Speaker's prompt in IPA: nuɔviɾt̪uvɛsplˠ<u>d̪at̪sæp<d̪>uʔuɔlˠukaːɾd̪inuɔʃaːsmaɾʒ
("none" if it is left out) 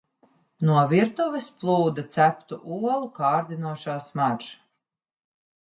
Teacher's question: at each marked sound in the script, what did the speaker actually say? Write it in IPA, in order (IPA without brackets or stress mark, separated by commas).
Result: uː, t̪